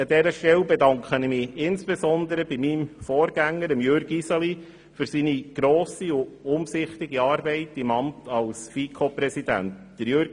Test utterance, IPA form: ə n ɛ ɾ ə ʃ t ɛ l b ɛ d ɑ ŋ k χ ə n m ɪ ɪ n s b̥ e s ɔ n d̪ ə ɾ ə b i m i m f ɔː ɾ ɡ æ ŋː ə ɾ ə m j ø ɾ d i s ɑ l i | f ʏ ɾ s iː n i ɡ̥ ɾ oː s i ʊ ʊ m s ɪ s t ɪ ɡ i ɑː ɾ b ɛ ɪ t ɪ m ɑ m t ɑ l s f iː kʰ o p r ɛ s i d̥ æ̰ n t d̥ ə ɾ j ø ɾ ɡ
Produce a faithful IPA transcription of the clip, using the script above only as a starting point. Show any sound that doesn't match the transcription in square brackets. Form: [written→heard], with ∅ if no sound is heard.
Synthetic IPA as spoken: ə [n→d] ɛ ɾ ə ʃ t ɛ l b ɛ d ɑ ŋ k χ ə n m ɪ ɪ n s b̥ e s ɔ n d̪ ə ɾ ə b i m i m f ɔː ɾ ɡ æ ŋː ə ɾ ə m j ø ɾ [d→ɡ] i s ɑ l i | f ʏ ɾ s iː n i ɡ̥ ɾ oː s i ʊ ʊ m s ɪ [s→χ] t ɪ ɡ i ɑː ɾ b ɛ ɪ t ɪ m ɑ m t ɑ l s f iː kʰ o p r ɛ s i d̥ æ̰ n t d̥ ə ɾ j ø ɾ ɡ